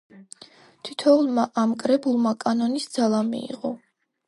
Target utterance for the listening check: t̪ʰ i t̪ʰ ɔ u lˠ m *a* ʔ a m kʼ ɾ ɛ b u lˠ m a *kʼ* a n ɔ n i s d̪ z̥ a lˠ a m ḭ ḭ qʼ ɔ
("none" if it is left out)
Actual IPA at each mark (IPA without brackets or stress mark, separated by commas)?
a, kʼ